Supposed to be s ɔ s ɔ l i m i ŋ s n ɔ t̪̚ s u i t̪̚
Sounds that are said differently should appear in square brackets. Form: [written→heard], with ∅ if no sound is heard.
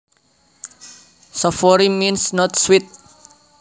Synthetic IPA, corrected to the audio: s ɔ [s→f] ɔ [l→ɾ] i m i [ŋ→n] s n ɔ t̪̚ s [u→w] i t̪̚